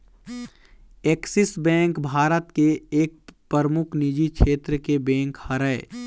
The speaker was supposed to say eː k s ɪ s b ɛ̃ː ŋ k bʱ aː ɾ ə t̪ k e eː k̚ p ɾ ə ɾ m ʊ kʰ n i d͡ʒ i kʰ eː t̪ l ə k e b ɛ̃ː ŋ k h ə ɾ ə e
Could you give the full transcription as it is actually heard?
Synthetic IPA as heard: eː k s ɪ s b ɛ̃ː ŋ k bʱ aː ɾ ə t̪ k e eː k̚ p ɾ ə ɾ m ʊ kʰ n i d͡ʒ i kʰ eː t̪ ɾ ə k e b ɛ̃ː ŋ k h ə ɾ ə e